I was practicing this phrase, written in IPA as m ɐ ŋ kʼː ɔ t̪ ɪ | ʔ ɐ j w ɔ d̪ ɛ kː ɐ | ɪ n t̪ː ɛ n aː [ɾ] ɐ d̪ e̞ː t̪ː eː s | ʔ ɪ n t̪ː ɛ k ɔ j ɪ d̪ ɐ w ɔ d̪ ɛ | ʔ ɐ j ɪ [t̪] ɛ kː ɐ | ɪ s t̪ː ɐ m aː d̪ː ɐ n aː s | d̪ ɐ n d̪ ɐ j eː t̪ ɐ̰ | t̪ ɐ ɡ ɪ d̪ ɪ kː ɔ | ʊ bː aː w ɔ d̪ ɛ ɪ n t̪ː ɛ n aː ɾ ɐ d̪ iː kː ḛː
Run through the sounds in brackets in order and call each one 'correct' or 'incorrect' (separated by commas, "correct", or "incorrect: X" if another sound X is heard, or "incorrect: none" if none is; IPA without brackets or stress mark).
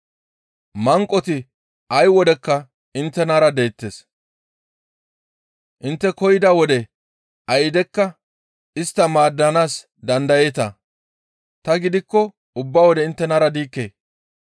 correct, incorrect: d̪